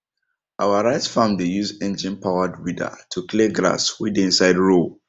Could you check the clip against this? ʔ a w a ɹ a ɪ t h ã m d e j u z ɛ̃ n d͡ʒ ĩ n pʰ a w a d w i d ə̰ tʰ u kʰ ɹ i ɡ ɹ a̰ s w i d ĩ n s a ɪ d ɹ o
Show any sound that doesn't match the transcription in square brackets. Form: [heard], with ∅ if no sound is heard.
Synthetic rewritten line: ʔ a w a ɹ a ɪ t [f] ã m d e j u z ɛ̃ n d͡ʒ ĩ n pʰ a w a d w i d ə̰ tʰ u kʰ [l] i ɡ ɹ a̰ s w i d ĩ n s a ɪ d ɹ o